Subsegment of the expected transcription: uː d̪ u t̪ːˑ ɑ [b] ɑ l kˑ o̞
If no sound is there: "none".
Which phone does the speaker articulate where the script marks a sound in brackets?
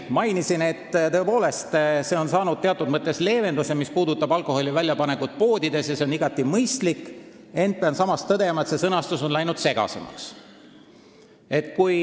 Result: b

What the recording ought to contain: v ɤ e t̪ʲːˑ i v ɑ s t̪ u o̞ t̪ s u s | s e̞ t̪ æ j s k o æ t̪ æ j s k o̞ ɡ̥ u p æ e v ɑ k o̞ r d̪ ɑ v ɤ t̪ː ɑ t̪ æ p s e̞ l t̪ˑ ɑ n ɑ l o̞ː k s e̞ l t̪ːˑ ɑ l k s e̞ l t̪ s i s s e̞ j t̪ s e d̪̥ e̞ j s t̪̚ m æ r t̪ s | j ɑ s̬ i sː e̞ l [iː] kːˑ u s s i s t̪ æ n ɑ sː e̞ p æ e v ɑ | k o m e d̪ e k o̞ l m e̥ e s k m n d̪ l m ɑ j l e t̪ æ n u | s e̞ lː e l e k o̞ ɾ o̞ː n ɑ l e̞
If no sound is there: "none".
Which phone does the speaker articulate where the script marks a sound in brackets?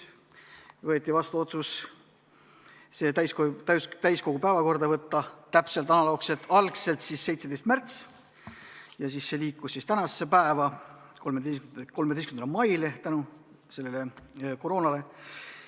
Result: iː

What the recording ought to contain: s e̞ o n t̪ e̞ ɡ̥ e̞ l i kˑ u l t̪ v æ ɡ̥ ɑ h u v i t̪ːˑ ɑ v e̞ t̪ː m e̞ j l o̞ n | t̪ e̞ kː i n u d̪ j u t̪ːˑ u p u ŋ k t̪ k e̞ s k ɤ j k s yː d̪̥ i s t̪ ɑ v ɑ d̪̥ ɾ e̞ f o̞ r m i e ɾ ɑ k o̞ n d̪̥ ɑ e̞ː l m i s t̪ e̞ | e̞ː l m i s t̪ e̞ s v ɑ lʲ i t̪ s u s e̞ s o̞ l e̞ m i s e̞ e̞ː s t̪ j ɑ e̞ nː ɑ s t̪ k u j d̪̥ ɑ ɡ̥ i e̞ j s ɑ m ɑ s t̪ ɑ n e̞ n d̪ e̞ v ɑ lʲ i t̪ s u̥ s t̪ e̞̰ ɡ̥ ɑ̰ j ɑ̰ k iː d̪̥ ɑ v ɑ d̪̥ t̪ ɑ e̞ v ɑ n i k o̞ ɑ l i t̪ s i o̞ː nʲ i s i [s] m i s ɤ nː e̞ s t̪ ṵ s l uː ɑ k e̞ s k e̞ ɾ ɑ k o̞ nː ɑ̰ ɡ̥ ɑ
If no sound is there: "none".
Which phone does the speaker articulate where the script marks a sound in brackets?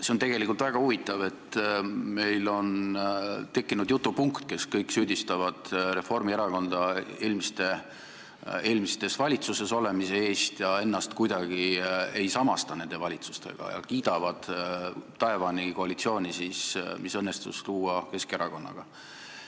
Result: s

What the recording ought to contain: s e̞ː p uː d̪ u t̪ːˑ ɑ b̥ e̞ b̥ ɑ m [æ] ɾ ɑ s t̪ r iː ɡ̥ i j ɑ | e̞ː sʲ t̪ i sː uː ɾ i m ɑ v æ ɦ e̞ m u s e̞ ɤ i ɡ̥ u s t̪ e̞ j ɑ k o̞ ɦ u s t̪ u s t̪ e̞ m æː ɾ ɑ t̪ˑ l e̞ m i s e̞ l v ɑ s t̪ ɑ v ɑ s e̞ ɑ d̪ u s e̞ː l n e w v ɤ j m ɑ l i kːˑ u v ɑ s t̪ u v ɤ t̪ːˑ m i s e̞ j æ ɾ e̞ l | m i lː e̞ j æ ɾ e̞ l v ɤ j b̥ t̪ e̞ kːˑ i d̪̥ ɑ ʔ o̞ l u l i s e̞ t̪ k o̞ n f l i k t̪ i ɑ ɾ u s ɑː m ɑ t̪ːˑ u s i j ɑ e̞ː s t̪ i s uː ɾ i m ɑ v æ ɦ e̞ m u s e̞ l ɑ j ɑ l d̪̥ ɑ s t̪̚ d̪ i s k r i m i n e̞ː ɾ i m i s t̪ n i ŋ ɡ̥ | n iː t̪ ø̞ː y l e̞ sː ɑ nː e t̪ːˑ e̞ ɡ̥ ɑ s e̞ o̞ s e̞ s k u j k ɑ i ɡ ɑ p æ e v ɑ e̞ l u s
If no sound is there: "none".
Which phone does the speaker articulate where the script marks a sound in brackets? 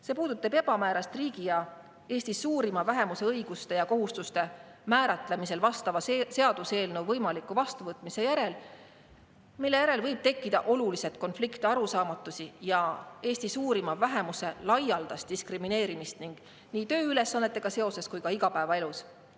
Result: æː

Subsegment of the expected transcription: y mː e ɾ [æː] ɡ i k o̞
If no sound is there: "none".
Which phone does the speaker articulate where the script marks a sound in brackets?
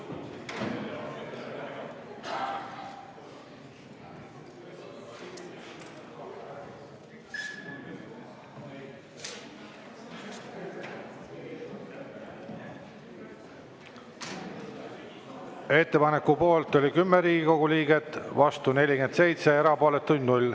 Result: iː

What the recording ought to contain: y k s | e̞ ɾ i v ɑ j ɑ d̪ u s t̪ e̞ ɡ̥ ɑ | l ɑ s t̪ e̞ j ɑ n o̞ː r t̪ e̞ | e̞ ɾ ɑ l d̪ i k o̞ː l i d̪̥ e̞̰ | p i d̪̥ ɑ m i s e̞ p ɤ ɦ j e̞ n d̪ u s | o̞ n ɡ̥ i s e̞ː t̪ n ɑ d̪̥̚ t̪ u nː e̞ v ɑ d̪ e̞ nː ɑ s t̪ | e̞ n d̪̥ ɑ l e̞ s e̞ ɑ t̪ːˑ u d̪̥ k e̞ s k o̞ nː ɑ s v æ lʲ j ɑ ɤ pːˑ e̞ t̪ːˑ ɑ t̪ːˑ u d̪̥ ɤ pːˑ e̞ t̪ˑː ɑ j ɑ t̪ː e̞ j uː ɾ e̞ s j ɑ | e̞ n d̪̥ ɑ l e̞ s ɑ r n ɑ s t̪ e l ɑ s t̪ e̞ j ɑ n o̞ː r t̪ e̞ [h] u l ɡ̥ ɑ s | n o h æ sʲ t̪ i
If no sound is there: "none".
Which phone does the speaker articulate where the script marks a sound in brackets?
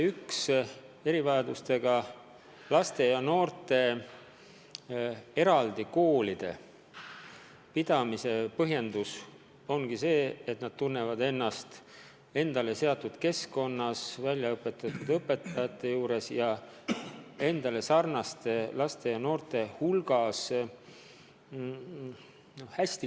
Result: h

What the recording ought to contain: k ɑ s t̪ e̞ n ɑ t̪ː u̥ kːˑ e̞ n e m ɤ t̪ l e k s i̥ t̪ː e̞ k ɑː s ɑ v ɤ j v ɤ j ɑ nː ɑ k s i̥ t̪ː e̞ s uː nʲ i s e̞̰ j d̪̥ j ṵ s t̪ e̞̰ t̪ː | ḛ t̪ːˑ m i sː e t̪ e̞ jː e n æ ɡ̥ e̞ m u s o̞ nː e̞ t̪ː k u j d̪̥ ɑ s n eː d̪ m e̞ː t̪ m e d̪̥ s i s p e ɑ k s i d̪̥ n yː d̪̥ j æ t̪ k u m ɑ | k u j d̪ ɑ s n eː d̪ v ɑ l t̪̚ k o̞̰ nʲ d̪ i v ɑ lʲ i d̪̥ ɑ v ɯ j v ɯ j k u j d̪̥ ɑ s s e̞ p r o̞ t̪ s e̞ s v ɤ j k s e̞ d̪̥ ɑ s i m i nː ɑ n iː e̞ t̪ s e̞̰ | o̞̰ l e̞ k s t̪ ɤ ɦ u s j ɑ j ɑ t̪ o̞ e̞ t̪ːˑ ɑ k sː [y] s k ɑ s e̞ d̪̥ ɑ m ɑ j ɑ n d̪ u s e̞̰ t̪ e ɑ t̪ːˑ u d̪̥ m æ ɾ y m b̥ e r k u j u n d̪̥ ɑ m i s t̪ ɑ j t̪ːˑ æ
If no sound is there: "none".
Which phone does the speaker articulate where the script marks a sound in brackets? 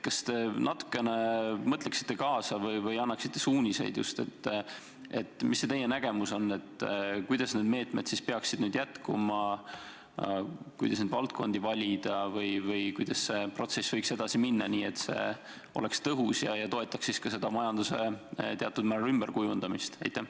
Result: i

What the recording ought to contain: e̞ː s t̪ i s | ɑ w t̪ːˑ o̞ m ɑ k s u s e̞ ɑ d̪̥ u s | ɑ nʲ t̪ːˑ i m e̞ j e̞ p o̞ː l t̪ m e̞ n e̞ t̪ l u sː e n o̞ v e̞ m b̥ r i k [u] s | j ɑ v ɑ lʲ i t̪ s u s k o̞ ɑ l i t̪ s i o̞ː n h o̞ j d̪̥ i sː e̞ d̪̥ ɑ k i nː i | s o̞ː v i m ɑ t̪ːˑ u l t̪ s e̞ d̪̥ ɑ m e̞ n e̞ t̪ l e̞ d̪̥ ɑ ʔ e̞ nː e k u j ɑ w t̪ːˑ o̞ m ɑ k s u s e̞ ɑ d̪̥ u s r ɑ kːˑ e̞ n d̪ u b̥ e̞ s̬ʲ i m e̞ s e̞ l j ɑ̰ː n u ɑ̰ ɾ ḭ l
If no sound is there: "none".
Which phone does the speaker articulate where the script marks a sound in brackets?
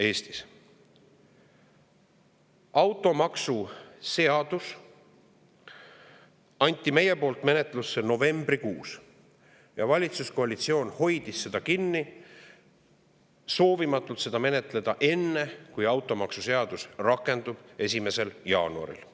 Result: uː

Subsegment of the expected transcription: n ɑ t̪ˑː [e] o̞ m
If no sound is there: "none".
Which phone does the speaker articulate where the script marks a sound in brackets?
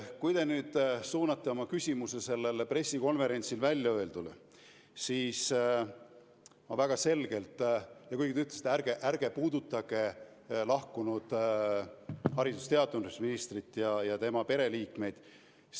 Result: e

